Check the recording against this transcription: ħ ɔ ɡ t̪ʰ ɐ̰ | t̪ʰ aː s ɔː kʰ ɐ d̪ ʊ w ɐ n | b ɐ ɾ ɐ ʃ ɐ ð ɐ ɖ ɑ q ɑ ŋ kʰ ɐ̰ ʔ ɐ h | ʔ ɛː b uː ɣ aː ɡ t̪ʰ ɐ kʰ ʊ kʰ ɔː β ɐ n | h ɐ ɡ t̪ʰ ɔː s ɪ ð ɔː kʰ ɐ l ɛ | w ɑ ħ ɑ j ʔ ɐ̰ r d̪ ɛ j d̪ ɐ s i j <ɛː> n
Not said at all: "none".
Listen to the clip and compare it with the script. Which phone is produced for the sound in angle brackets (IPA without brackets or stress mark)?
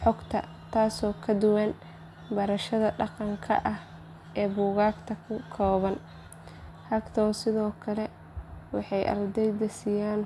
aː